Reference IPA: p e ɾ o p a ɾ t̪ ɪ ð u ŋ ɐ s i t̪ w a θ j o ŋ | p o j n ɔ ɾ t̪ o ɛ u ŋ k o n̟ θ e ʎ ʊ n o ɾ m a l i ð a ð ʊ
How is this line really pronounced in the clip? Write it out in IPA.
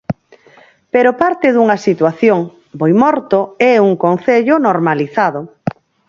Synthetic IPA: p e ɾ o p a ɾ t̪ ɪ ð u ŋ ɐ s i t̪ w a θ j o ŋ | b o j m ɔ ɾ t̪ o ɛ u ŋ k o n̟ θ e ʎ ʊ n o ɾ m a l i θ a ð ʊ